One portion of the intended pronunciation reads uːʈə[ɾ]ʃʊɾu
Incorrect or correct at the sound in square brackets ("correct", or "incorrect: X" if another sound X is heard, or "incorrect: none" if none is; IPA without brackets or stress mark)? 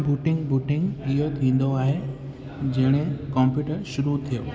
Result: correct